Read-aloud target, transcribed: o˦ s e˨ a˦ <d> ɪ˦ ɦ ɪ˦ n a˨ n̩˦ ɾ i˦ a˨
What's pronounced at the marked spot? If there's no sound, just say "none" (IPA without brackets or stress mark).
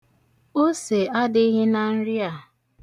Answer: d